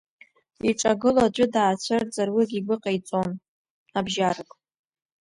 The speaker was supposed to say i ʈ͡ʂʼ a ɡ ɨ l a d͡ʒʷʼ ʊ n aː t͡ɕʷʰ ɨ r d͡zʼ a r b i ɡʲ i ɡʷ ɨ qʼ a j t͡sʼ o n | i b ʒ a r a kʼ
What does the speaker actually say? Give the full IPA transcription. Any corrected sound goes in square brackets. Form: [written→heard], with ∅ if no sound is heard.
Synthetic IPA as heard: i ʈ͡ʂʼ a ɡ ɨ l a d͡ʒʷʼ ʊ [n→d] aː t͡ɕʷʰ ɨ r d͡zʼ a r [b→w] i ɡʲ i ɡʷ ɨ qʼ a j t͡sʼ o n | [i→a] b ʒ a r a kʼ